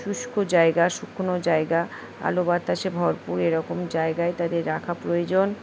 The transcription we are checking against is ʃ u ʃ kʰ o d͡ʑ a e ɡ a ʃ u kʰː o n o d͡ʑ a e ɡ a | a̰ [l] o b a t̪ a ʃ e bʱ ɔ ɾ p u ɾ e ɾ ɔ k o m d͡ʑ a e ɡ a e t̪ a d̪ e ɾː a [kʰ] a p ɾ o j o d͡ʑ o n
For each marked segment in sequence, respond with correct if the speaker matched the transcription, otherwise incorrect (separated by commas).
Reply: correct, correct